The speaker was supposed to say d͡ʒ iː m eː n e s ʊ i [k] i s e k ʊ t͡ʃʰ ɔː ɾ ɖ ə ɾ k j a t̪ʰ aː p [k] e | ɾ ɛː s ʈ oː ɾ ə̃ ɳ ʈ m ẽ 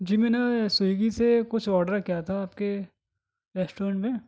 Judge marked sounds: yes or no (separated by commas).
no, yes